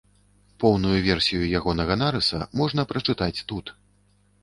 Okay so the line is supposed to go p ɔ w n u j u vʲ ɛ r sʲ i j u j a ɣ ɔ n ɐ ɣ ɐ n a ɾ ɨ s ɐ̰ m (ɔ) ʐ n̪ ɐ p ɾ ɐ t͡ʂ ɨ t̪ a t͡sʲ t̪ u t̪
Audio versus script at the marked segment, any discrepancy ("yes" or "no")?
no